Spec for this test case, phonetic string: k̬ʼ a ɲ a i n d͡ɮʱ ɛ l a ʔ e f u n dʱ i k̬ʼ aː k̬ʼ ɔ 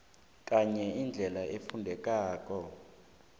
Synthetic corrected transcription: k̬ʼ a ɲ ɛ i n d͡ɮʱ ɛ l a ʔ e f u n dʱ ɛ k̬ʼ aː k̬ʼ ɔ